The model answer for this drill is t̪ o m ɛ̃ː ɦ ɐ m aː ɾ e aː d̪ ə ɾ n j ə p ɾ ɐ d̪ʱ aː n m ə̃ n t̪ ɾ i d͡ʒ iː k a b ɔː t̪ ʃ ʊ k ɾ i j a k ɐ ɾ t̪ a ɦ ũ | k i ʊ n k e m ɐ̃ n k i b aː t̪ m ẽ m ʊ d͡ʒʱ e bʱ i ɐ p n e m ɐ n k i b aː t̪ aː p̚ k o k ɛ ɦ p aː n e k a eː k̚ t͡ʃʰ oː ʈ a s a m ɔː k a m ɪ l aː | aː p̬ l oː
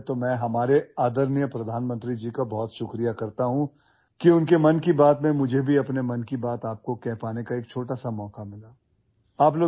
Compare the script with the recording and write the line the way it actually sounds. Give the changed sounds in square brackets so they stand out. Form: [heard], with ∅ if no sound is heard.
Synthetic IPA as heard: t̪ o m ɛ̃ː ɦ ɐ m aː ɾ e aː d̪ ə ɾ n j ə p ɾ ɐ d̪ʱ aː n m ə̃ n t̪ ɾ i d͡ʒ iː k a b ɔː t̪ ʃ ʊ k ɾ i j a k ɐ ɾ t̪ a ɦ ũ | k i ʊ n k e m [ɐ] n k i b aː t̪ m ẽ m ʊ d͡ʒʱ e bʱ i ɐ p n e m ɐ n k i b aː t̪ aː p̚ k o k ɛ ɦ p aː n e k a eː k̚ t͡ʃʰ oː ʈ a s a m ɔː k a m ɪ l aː | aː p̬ l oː